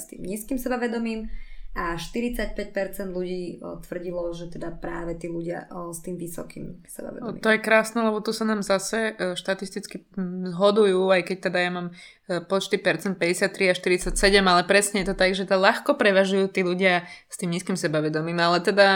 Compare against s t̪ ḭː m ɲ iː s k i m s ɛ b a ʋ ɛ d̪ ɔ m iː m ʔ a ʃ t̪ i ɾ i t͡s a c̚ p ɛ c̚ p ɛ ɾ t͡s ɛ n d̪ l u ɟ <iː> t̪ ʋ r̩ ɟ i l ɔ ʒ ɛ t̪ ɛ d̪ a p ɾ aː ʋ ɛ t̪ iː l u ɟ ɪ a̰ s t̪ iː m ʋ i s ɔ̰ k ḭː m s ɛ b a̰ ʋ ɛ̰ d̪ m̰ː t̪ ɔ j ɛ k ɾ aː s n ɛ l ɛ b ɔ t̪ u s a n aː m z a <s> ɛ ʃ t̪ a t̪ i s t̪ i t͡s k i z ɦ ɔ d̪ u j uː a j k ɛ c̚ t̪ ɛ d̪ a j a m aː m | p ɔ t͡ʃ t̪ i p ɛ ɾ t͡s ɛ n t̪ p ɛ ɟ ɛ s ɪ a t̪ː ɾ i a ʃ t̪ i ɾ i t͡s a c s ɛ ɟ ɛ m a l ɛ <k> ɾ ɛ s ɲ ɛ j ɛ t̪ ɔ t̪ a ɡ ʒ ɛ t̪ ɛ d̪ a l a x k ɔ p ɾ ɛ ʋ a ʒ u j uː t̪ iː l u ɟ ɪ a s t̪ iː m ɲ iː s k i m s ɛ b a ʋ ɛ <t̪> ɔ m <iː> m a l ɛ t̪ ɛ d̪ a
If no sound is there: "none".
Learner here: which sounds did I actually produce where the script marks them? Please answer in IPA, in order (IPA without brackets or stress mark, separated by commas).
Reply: iː, s, p, d̪, iː